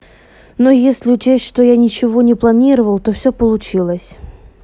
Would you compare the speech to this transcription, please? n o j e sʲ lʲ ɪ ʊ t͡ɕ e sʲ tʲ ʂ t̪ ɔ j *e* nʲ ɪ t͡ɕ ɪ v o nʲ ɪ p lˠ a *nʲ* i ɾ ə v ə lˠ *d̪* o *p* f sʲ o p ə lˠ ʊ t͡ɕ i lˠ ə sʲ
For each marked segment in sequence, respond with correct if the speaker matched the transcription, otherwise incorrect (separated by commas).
incorrect, correct, incorrect, incorrect